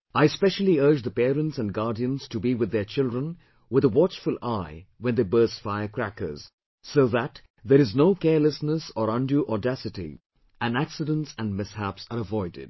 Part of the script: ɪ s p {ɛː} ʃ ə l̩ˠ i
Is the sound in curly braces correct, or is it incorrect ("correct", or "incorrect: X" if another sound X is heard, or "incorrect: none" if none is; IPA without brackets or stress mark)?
incorrect: ɛ